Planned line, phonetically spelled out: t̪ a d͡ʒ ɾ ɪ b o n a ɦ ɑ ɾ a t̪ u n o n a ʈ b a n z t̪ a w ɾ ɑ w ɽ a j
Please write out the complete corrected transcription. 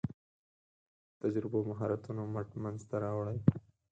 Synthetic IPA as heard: t̪ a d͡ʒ ɾ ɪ b o m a ɦ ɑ ɾ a t̪ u n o m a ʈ m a n z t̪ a ɾ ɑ w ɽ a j